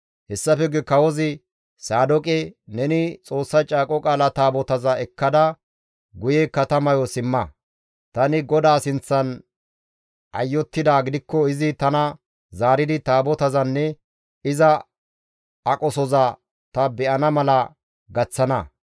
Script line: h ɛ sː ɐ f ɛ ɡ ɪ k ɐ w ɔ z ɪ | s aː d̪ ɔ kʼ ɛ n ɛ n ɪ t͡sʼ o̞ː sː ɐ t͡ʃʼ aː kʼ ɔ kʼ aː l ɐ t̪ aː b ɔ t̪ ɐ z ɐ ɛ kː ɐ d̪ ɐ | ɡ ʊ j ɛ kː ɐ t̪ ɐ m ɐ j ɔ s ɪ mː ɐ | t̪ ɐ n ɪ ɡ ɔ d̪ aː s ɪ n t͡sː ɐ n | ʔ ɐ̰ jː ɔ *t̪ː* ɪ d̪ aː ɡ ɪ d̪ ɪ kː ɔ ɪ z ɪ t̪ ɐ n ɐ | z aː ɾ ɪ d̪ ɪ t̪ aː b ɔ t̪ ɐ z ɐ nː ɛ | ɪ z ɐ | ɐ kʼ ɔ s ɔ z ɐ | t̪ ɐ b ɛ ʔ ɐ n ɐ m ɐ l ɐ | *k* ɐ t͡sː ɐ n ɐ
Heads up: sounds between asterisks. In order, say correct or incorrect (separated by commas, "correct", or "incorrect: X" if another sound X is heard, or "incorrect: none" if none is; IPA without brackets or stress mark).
correct, incorrect: ɡ